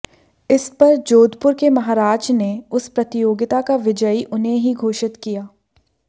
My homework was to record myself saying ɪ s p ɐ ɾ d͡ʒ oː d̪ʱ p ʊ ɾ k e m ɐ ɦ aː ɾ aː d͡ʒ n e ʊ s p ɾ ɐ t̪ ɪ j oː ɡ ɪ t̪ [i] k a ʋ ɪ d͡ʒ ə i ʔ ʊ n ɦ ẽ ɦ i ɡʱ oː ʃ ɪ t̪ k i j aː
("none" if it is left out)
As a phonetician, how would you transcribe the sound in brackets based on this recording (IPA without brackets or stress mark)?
a